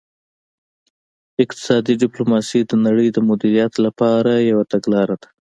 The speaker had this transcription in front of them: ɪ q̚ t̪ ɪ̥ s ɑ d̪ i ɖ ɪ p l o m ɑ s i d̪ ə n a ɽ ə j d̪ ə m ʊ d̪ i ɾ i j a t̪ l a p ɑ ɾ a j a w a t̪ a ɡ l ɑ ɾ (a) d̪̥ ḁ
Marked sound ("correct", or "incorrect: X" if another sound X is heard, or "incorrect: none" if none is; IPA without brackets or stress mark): correct